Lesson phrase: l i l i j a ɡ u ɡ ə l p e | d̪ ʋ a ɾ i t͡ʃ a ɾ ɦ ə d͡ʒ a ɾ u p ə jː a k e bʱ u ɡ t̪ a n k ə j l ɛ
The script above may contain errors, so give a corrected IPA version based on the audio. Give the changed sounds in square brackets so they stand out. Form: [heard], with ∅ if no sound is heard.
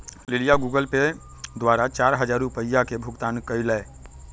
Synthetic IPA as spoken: l i l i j a ɡ u ɡ ə l p e | d̪ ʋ a ɾ [a] t͡ʃ a ɾ ɦ ə d͡ʒ a ɾ u p ə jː a k e bʱ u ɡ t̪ a n k ə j l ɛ